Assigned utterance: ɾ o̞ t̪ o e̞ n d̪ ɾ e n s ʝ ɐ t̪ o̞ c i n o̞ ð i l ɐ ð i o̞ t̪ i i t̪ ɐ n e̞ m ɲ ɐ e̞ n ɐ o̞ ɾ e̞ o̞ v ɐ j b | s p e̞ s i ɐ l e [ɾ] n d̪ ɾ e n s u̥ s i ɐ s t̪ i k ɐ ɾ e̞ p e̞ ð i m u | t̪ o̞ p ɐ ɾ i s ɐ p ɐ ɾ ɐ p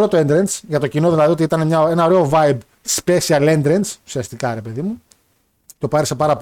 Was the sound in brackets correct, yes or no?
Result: no